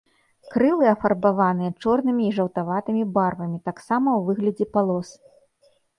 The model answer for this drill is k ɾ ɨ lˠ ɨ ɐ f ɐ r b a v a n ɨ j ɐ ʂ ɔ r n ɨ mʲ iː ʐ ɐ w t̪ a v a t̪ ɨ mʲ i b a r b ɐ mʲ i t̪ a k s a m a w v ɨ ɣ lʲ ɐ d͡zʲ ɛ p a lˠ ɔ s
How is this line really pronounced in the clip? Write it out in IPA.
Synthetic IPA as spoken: k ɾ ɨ lˠ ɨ ɐ f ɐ r b a v a n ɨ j ɐ t͡ʂ ɔ r n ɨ mʲ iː ʐ ɐ w t̪ a v a t̪ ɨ mʲ i b a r v ɐ mʲ i t̪ a k s a m ɐ w v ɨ ɣ lʲ ɐ d͡zʲ ɛ p a lˠ ɔ s

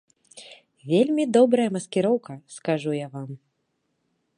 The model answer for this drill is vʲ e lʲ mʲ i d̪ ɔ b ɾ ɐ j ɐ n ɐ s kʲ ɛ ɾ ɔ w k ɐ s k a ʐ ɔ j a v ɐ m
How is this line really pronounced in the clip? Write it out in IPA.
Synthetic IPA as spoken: vʲ e lʲ mʲ i d̪ ɔ b ɾ ɐ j ɐ m ɐ s kʲ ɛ ɾ ɔ w k ɐ s k a ʐ u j a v a m

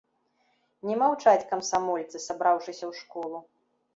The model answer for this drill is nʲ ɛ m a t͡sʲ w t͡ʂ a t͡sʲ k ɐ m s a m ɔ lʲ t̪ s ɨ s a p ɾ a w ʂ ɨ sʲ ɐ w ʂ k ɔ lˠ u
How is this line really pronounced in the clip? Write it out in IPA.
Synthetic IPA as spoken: nʲ ɛ m a w t͡ʂ a t͡sʲ k ɐ m s a m ɔ lʲ t̪ s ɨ s a b ɾ a w ʂ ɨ sʲ ɐ w ʂ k ɔ lˠ u

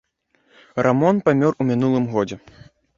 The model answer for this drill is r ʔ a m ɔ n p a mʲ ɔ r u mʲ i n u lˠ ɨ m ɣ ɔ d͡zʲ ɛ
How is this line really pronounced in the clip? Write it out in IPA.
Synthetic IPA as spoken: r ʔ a m ɔ n p a mʲ ɔ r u mʲ i n u lˠ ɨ m ɣ ɔ d͡zʲ ɛ

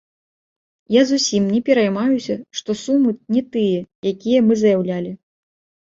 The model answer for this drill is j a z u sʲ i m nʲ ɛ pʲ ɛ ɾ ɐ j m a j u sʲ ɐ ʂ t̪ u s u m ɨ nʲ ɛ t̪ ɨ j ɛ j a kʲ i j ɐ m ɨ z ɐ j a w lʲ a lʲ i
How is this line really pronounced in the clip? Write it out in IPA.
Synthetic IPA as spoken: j a z u sʲ i m nʲ ɛ pʲ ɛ ɾ ɐ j m a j u sʲ ɐ ʂ t̪ ɔ s u m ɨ nʲ ɛ t̪ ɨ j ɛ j a kʲ i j ɐ m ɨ z ɐ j a w lʲ a lʲ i

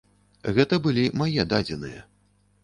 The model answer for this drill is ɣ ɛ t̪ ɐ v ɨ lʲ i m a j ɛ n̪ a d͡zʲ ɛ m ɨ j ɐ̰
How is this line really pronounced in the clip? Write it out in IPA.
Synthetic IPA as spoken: ɣ ɛ t̪ ɐ b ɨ lʲ i m a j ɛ d̪ a d͡zʲ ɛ n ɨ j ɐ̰

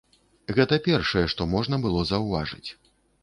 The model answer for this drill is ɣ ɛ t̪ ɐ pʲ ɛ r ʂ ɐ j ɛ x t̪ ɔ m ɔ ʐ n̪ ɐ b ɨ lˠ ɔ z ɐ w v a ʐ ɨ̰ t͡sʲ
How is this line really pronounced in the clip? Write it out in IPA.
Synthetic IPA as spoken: ɣ ɛ t̪ ɐ pʲ ɛ r ʂ ɐ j ɛ ʂ t̪ ɔ m ɔ ʐ n̪ ɐ b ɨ lˠ ɔ z ɐ w v a ʐ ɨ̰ t͡sʲ

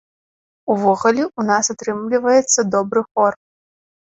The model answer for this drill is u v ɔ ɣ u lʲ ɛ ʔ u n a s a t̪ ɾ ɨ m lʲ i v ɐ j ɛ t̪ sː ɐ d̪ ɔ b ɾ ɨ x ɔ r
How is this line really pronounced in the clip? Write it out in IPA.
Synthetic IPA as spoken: u v ɔ ɣ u lʲ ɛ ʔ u n a s a t̪ ɾ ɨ m lʲ i v ɐ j ɛ t̪ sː ɐ d̪ ɔ b ɾ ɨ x ɔ r

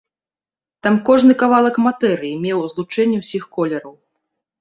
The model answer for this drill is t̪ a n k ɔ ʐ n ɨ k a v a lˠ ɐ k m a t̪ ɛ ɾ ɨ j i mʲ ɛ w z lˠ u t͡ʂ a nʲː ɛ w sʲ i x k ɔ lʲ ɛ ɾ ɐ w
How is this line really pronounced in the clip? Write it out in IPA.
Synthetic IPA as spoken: t̪ a m k ɔ ʐ n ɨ k a v a lˠ ɐ k m a t̪ ɛ ɾ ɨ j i mʲ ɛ w z lˠ u t͡ʂ ɛ nʲː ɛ w sʲ i x k ɔ lʲ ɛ ɾ ɐ w

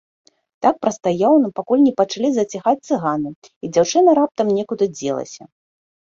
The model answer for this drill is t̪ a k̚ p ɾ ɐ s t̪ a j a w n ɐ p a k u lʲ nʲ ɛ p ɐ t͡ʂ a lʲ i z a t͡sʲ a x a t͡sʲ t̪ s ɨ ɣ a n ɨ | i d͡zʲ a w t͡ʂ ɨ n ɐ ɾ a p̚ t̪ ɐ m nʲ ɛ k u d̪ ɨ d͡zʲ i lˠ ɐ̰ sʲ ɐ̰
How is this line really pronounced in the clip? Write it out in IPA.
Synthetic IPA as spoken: t̪ a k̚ p ɾ ɐ s t̪ a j a w n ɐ p a k u lʲ nʲ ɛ p ɐ t͡ʂ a lʲ i z ɐ t͡sʲ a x a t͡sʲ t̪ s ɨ ɣ a n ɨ | i d͡zʲ a w t͡ʂ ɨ n ɐ ɾ a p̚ t̪ ɐ m nʲ ɛ k u d̪ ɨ d͡zʲ ɛ lˠ ɐ̰ sʲ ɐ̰

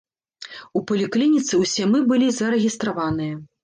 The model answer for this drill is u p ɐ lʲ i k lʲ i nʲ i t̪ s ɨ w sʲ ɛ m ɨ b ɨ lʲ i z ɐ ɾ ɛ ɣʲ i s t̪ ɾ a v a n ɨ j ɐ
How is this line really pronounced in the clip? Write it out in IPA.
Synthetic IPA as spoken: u p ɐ lʲ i k lʲ i nʲ i t̪ s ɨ w sʲ ɛ m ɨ b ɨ lʲ i z ɐ ɾ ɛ ɣʲ i s t̪ ɾ a v a n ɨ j ɐ

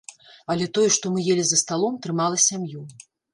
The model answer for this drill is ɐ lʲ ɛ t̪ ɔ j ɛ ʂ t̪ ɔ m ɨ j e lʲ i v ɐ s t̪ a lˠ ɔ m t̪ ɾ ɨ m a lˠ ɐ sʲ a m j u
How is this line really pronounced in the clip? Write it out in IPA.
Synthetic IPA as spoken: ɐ lʲ ɛ t̪ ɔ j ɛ ʂ t̪ ɔ m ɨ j e lʲ i z ɐ s t̪ a lˠ ɔ m t̪ ɾ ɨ m a lˠ ɐ sʲ a m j u

